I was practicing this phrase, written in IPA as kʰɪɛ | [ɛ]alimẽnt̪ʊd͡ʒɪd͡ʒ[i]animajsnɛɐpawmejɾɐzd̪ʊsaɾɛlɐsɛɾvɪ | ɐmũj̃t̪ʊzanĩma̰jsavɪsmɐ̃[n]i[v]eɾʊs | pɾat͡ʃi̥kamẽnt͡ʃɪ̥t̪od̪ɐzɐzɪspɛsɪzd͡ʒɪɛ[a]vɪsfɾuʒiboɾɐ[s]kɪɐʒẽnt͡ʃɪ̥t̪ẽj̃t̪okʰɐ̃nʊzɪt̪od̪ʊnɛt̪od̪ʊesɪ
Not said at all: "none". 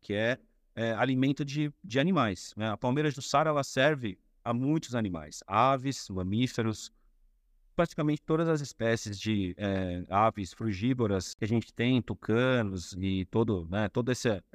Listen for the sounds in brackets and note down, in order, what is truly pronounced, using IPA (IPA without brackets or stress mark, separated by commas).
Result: ɛ, ɪ, m, f, a, s